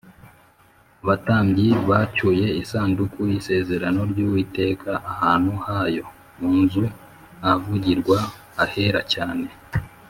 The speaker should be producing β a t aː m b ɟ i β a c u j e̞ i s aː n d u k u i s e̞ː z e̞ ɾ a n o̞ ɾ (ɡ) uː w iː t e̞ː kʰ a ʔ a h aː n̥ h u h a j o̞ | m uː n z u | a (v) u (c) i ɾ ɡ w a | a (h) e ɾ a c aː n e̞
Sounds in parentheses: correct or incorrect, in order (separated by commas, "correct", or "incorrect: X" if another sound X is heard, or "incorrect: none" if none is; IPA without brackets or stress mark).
incorrect: ɟ, correct, incorrect: ɟ, correct